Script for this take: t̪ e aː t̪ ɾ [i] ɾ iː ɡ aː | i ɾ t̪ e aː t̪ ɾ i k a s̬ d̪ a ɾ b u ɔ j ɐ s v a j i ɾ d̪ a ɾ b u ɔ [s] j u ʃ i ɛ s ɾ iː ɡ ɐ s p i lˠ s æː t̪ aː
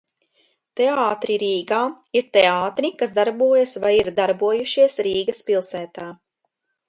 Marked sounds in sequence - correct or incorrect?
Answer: correct, incorrect: none

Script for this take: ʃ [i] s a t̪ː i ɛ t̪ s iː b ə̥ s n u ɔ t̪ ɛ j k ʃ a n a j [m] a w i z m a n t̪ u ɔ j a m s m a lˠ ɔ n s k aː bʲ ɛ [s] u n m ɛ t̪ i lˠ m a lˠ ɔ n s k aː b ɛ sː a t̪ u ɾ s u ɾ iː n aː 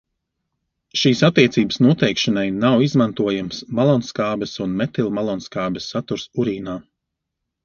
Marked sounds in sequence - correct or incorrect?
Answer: incorrect: iː, incorrect: n, correct

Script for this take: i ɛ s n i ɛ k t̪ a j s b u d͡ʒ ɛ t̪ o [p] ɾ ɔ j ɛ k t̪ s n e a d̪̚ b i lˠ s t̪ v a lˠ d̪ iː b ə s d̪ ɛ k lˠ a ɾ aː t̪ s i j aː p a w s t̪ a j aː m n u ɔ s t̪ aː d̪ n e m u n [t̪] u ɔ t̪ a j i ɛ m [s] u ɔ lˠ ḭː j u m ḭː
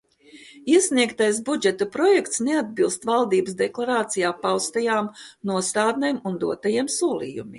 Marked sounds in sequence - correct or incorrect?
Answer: correct, incorrect: d̪, correct

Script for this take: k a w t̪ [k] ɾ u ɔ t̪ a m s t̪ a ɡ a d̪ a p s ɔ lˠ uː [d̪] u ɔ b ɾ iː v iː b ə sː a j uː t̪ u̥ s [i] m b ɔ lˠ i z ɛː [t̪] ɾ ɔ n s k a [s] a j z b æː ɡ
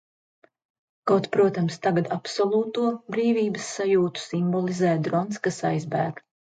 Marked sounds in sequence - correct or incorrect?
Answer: incorrect: p, incorrect: t̪, correct, incorrect: d̪, correct

